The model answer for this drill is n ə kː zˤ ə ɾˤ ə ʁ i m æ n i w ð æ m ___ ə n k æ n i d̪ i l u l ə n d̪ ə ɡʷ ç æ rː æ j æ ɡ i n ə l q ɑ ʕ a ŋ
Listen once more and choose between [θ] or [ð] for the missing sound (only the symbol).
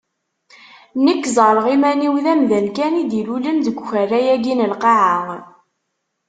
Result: ð